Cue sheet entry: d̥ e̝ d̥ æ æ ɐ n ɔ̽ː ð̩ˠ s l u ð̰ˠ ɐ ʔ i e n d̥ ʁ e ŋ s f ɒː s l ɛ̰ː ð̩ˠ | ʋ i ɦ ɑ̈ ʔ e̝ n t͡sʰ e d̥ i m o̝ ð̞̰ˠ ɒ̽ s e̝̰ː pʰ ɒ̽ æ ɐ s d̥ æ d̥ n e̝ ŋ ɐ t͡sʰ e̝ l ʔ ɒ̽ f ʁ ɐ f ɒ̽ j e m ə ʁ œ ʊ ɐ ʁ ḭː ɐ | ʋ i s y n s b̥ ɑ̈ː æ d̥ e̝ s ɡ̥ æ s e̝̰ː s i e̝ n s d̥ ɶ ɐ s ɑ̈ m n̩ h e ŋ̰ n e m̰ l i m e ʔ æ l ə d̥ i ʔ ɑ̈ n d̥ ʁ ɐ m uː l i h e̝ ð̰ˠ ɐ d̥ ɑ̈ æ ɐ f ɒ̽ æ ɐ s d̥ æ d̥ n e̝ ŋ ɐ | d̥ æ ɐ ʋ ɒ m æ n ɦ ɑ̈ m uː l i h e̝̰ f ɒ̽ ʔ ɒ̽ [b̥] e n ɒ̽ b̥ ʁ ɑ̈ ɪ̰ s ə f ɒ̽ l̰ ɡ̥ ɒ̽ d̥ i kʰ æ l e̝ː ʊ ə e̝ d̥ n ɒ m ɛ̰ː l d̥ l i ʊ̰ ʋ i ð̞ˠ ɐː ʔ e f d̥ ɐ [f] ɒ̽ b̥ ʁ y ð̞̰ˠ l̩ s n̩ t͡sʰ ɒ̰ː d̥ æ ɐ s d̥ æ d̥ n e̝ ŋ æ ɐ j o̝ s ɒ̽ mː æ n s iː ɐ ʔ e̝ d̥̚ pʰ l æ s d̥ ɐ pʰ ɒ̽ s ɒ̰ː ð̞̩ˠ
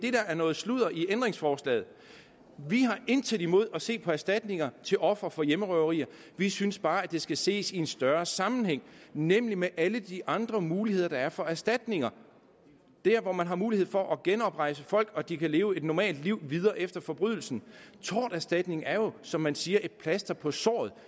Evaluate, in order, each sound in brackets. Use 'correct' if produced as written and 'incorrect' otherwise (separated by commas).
incorrect, correct